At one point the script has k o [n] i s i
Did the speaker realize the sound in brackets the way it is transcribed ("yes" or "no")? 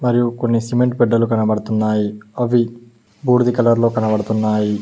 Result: no